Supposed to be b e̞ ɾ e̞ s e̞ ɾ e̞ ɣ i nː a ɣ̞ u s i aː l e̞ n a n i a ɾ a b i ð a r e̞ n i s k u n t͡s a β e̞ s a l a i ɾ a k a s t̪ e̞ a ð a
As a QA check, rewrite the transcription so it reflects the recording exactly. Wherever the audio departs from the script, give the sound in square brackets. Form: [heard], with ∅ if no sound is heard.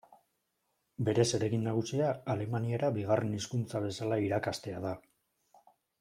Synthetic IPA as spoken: b e̞ ɾ e̞ s e̞ ɾ e̞ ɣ i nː a ɣ̞ u s i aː l e̞ [m] a n i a ɾ a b i [ɣ] a r e̞ n i s k u n t͡s a β e̞ s a l a i ɾ a k a s t̪ e̞ a ð a